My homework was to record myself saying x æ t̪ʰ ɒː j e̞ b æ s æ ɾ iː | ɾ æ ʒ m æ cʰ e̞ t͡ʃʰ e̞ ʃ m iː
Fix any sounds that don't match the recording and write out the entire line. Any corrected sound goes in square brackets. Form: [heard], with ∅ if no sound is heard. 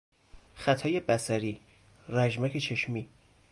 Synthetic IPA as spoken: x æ t̪ʰ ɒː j e̞ b æ s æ ɾ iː | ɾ æ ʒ m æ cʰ e̞ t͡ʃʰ e̞ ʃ m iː